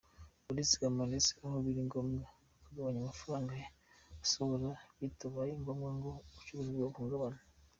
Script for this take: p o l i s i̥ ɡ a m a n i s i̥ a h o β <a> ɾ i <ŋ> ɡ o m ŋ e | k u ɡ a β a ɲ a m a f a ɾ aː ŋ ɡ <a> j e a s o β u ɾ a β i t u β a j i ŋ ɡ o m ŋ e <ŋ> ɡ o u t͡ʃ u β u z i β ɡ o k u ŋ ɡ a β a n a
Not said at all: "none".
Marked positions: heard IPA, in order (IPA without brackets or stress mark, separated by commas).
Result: i, ŋ, a, ŋ